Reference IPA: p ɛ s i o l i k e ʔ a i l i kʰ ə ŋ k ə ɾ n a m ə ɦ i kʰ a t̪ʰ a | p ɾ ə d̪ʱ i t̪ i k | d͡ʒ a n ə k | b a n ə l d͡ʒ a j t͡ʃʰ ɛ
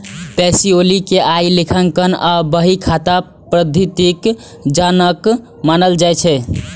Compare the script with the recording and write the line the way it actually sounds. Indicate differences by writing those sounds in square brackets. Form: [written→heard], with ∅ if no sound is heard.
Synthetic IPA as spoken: p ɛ s i o l i k e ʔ a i l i kʰ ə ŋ k ə [ɾ→∅] n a [m→b] ə ɦ i kʰ a [t̪ʰ→t̪] a | p ɾ ə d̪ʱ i t̪ i k | d͡ʒ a n ə k | [b→m] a n ə l d͡ʒ a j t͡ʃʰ ɛ